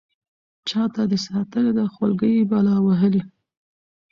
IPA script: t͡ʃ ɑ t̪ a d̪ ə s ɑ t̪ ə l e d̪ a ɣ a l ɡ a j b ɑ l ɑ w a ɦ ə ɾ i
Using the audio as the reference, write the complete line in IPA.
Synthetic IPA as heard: t͡ʃ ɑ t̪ a d̪ ə s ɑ t̪ ə l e d̪ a x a l ɡ ə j b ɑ l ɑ w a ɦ ə l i